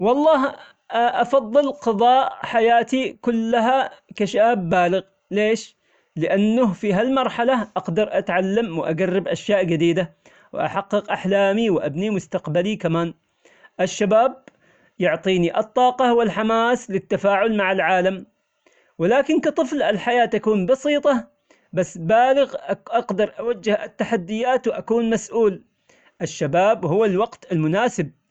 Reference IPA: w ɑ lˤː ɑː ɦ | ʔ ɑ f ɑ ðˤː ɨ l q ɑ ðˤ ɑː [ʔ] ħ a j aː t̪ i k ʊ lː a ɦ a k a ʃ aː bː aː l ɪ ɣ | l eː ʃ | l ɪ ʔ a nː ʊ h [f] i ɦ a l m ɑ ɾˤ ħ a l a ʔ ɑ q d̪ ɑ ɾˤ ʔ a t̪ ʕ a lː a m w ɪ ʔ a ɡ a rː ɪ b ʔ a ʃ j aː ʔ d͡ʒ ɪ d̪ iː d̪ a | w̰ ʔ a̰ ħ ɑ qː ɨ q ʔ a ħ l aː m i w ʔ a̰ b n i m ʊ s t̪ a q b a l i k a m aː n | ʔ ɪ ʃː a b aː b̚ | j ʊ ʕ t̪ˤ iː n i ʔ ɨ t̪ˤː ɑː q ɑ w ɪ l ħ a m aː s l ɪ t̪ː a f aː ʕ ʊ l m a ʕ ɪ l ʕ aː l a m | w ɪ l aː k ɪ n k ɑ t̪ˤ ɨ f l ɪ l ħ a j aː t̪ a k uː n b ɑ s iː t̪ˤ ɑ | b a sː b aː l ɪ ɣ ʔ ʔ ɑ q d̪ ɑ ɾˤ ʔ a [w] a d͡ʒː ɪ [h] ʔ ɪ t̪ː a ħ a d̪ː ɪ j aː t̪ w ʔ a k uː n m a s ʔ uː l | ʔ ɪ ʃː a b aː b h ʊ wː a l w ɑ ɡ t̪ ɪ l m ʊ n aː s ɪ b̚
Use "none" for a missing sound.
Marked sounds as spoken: ʔ, f, w, h

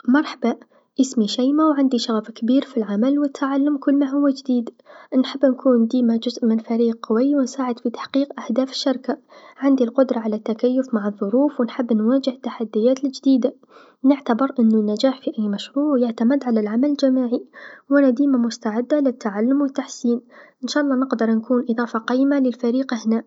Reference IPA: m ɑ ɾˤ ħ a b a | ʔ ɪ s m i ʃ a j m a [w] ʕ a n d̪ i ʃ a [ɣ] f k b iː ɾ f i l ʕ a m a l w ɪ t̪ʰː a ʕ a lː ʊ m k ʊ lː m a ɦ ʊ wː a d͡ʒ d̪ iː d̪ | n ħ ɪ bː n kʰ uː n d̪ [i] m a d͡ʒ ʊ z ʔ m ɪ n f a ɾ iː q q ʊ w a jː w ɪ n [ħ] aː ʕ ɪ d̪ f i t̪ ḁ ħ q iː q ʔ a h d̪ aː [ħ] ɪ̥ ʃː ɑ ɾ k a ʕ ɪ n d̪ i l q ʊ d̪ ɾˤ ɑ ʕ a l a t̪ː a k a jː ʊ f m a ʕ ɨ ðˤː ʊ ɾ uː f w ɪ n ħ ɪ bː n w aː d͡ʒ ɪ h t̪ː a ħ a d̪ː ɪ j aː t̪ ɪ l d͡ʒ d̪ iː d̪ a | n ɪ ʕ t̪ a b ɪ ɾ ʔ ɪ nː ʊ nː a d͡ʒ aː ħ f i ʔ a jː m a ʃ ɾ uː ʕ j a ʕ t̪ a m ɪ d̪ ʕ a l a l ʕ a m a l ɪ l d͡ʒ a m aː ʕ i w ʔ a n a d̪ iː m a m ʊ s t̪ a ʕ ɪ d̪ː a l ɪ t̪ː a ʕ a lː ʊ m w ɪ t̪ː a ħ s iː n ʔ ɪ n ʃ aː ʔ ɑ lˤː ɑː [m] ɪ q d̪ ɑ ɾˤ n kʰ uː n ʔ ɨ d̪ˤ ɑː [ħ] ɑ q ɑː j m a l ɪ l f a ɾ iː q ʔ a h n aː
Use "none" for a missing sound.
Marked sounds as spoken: w, ɣ, iː, s, f, n, f

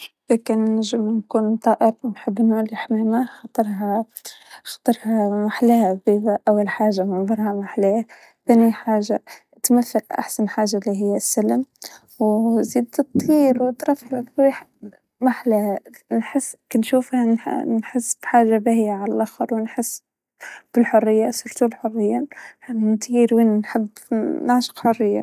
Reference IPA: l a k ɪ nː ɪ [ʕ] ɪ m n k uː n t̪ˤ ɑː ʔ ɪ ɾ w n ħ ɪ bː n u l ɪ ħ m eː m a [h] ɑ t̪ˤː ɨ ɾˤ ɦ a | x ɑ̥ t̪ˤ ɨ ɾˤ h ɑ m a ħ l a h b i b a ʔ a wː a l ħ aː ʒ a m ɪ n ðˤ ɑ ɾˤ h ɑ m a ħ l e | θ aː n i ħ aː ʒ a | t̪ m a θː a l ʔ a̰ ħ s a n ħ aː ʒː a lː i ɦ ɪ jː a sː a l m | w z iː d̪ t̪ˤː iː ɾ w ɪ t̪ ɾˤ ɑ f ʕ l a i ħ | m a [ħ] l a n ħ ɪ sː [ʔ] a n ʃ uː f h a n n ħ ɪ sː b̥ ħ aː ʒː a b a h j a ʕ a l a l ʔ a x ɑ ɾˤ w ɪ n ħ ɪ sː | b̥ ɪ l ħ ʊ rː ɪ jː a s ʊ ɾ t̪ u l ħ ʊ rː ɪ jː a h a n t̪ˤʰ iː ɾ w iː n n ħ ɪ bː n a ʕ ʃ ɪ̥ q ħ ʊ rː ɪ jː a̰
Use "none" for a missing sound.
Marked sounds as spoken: ʒ, x, ħ, k

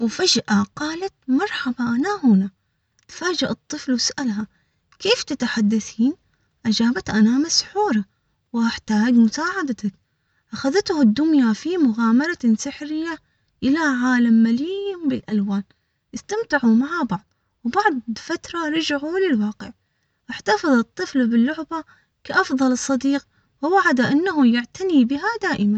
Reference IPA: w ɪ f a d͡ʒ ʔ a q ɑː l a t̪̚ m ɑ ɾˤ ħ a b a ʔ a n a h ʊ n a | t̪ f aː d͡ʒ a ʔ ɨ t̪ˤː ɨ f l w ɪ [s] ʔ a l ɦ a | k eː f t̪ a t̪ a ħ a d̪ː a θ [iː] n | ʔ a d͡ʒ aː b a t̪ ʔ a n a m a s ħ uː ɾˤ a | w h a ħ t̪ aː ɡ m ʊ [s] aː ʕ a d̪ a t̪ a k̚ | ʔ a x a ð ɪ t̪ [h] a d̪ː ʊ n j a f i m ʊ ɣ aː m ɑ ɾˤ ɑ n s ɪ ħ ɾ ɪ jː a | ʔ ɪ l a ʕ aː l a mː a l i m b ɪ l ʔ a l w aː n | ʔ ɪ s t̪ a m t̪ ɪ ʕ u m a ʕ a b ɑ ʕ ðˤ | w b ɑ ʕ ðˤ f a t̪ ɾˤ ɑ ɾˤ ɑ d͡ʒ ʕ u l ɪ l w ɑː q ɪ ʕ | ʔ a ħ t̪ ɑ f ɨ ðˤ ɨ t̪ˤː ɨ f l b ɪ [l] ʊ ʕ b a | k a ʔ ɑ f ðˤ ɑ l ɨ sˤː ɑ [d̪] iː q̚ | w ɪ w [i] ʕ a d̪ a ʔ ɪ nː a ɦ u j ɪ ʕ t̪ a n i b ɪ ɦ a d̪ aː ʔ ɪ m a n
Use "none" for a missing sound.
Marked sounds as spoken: s, iː, s, h, lː, d̪, a

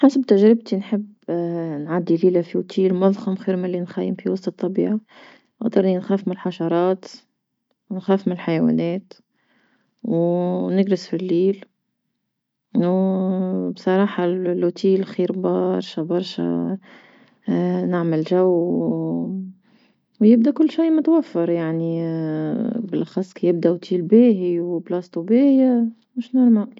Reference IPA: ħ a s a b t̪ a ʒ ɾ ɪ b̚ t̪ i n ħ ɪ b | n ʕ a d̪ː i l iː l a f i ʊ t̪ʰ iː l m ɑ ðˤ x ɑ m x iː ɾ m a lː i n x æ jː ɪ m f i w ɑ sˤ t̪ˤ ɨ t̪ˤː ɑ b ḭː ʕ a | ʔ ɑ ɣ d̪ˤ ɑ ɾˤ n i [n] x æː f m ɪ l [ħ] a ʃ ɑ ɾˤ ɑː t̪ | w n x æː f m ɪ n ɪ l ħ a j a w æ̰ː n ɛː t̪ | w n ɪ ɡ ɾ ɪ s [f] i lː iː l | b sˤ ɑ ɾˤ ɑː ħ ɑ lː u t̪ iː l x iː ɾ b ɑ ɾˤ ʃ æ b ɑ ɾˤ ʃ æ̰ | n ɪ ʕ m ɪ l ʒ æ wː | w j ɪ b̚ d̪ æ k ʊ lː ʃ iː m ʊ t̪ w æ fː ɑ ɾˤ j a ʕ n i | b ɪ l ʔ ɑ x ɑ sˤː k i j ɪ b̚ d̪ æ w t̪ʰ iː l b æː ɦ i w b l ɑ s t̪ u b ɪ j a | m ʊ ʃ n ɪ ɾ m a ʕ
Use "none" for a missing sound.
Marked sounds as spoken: n, ħ, f

